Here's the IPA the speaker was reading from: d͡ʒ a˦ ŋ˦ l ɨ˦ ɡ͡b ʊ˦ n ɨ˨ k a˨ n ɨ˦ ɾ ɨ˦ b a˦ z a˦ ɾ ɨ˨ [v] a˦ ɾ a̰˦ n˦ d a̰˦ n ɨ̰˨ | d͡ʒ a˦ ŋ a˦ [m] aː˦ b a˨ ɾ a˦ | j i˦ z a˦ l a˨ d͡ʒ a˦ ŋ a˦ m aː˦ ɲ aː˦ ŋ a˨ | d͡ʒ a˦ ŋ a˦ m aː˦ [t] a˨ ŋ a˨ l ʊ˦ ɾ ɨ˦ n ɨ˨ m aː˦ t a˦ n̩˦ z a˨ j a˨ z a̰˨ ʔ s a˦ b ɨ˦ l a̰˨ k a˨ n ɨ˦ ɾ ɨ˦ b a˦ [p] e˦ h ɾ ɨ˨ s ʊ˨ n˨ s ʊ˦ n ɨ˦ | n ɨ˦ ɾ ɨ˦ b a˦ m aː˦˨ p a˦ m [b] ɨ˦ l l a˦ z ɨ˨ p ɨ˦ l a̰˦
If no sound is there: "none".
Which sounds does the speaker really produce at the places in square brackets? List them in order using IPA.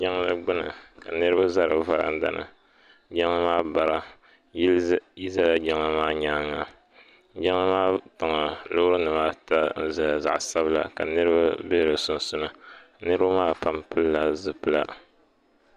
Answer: v, m, t, b, p

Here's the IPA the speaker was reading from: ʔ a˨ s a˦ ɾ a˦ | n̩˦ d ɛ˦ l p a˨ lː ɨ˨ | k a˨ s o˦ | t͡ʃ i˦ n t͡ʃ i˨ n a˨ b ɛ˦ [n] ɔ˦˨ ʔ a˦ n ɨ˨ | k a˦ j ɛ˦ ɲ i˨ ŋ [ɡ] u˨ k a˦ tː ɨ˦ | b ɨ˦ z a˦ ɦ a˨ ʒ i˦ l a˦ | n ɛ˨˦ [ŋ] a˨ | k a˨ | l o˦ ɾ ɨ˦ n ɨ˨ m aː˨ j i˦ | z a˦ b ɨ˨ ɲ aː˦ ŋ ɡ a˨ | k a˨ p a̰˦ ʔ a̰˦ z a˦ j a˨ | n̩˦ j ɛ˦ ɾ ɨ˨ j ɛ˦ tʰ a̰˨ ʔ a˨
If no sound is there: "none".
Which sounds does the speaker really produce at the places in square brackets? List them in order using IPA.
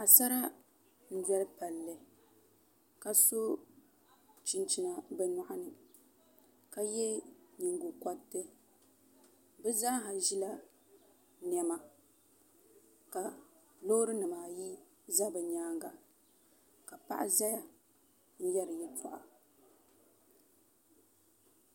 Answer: n, ɡ, m

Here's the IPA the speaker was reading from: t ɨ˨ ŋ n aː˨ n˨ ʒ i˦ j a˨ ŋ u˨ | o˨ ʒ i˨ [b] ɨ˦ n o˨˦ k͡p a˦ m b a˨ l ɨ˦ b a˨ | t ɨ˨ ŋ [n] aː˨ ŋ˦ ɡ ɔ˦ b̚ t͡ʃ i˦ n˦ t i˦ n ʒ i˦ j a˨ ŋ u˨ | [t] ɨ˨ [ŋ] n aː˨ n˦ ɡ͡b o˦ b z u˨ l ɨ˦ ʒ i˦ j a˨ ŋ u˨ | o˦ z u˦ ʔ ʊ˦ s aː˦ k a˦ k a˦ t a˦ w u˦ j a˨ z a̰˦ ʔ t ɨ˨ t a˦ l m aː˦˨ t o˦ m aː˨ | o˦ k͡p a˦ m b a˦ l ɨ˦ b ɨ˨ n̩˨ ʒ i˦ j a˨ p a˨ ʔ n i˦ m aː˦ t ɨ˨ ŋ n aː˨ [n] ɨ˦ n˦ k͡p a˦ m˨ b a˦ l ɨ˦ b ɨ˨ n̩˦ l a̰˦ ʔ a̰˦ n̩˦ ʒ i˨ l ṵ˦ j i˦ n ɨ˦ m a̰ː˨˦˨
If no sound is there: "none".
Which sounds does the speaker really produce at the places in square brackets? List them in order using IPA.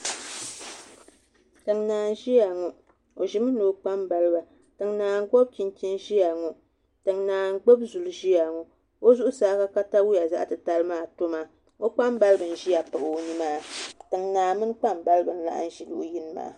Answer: m, n, t, ŋ, m

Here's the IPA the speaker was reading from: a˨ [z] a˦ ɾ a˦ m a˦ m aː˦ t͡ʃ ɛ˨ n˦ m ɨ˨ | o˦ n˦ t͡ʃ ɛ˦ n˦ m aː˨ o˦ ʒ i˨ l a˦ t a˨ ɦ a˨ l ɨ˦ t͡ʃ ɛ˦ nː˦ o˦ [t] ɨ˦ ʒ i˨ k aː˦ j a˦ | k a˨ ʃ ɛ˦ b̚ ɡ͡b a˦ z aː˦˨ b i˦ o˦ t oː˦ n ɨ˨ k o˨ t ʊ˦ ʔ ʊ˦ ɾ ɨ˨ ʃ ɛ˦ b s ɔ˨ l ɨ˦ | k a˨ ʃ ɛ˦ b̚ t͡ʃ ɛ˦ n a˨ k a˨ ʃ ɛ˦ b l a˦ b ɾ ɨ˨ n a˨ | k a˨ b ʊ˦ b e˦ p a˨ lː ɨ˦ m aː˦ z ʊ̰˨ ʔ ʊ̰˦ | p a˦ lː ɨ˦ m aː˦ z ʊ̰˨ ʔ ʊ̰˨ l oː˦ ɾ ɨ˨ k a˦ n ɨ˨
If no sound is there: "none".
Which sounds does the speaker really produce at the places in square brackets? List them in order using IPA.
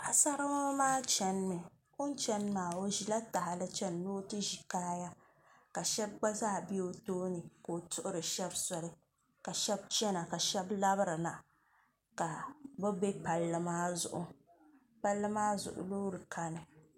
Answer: s, t

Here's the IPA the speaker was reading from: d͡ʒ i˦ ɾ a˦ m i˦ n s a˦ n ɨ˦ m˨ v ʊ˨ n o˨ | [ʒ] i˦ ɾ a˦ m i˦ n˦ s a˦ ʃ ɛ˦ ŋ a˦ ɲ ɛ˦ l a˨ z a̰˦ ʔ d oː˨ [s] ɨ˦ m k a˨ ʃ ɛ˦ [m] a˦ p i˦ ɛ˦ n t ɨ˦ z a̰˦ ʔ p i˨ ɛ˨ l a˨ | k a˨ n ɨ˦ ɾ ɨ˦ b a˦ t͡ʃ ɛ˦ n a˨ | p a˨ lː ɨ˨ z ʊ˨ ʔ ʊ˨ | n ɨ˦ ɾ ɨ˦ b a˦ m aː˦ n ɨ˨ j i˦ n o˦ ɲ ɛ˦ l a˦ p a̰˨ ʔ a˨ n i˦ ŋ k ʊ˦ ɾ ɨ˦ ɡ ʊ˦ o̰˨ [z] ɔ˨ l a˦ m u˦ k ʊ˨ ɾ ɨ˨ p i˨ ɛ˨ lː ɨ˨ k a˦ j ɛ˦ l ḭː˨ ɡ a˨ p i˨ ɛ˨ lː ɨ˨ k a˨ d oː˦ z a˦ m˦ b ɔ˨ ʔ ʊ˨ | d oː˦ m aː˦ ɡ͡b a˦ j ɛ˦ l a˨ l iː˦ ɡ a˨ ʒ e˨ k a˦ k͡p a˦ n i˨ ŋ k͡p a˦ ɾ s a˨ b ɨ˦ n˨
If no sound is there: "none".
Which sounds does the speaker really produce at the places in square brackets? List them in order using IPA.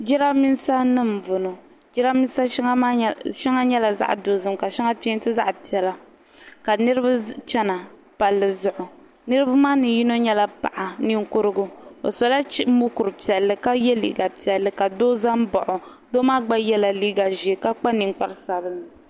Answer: d͡ʒ, z, ŋ, s

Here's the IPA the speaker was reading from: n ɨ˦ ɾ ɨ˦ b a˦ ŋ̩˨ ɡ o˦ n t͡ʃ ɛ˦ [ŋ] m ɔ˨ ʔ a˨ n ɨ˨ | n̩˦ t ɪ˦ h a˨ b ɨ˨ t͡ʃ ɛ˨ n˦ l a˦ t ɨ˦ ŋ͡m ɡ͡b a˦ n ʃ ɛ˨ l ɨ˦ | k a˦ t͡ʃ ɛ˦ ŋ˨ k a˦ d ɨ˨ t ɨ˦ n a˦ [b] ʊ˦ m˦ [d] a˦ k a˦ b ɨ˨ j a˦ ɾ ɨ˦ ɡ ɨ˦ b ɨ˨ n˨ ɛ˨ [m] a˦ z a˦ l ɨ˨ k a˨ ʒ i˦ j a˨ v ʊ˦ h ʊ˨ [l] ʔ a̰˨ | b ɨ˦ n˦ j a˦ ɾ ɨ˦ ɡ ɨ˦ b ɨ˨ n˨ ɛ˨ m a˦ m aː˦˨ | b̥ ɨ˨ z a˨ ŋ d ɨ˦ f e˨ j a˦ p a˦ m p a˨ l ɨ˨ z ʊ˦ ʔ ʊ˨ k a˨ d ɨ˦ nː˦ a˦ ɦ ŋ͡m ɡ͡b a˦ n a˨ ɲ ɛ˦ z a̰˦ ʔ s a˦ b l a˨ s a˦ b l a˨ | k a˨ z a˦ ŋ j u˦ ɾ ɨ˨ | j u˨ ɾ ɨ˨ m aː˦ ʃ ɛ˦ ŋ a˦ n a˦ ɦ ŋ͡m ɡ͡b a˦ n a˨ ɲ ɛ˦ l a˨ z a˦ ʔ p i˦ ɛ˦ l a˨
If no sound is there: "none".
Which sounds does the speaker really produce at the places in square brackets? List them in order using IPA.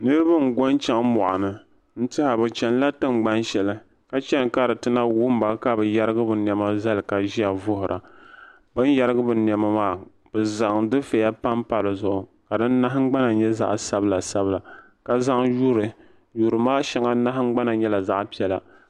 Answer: ŋ, w, b, m, ɾ

